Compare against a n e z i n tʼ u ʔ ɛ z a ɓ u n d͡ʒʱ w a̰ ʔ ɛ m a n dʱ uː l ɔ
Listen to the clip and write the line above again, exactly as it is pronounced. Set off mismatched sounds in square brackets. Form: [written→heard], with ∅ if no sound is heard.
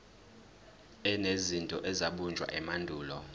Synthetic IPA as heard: [a→ɛ] n e z i n tʼ [u→ɔ] ʔ ɛ z a ɓ u n d͡ʒʱ w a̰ ʔ ɛ m a n dʱ uː l ɔ